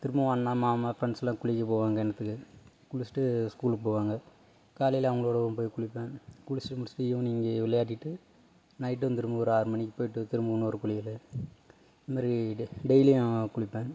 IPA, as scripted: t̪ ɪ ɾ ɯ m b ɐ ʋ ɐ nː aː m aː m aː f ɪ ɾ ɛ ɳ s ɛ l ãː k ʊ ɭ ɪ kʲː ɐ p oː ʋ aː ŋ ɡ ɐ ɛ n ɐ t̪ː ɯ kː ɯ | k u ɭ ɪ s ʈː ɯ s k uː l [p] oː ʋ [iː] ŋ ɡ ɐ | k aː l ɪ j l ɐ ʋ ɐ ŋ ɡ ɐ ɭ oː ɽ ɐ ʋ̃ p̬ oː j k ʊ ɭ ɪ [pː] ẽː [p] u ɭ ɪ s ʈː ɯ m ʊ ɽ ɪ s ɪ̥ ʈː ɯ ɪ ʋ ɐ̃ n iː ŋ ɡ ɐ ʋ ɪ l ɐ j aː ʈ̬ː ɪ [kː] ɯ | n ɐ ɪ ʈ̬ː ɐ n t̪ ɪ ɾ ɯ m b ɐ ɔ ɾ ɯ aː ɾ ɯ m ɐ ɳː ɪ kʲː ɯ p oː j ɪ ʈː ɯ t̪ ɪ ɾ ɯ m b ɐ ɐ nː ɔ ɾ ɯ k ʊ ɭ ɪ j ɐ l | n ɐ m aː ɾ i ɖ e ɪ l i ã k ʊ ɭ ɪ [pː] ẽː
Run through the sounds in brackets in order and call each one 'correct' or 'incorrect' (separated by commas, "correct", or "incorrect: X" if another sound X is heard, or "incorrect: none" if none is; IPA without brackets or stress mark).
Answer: correct, incorrect: aː, correct, incorrect: k, incorrect: ʈː, correct